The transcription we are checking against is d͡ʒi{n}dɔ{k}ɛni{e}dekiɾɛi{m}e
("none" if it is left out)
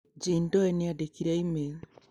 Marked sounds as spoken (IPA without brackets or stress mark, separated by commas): n, none, a, m